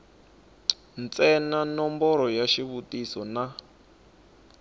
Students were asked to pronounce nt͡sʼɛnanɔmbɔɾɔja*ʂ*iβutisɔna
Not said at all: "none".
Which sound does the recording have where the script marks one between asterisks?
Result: ʃ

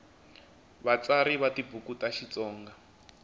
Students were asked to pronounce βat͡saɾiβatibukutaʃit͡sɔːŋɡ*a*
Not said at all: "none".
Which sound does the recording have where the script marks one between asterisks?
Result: a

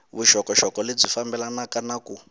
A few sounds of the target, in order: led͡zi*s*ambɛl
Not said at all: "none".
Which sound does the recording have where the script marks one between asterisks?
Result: f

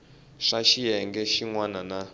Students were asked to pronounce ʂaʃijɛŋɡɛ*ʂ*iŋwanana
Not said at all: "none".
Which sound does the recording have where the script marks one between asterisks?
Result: ʃ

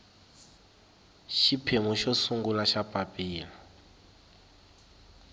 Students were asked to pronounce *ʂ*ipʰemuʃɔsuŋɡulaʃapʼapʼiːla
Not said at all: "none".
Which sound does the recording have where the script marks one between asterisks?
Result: ʃ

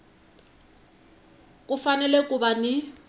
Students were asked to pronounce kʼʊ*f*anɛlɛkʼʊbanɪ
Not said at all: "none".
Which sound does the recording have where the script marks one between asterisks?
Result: f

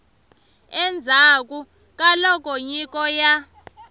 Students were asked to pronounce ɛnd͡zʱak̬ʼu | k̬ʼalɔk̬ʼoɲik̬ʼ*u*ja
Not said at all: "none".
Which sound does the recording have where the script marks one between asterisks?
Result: ɔ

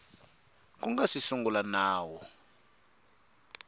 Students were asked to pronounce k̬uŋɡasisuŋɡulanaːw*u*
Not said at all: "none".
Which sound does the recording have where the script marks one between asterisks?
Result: ɔ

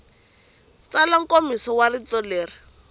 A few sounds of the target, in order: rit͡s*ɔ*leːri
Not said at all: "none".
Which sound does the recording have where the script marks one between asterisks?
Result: ɔ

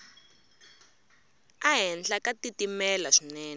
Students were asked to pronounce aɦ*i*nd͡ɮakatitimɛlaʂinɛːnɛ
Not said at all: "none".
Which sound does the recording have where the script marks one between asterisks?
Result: ɛ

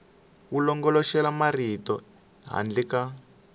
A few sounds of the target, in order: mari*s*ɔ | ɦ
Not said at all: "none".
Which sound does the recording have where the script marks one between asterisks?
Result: t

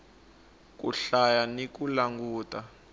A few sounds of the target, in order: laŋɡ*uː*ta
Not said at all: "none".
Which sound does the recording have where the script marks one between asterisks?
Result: uː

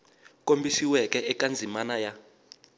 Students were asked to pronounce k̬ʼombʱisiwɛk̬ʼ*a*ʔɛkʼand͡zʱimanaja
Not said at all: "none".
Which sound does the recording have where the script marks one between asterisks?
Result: ɛ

